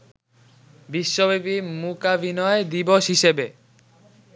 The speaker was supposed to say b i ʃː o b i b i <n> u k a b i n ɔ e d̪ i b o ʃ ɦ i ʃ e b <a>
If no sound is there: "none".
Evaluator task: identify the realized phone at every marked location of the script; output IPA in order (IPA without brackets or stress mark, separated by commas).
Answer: m, e